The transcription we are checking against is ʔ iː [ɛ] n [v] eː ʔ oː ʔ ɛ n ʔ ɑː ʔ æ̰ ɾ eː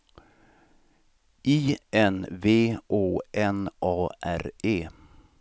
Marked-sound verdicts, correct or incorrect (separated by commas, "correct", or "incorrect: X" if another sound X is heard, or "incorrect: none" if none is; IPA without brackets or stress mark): correct, correct